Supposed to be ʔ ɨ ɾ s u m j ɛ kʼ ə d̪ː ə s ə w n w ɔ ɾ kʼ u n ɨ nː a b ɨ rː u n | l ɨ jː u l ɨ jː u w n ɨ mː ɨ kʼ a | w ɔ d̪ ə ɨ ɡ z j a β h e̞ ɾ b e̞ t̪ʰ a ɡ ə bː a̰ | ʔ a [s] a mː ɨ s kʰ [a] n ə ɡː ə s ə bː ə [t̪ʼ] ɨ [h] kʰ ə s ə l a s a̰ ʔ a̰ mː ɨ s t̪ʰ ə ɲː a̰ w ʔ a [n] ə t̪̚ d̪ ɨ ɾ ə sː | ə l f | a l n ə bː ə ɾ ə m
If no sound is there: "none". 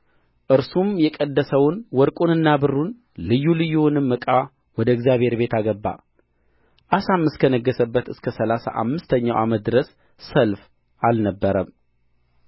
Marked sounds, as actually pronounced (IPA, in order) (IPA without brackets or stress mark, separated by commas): s, ə, t̪, s, m